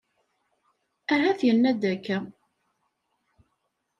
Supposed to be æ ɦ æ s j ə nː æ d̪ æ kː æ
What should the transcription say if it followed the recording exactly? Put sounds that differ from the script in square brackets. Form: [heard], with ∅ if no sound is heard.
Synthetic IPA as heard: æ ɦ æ [θ] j ə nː æ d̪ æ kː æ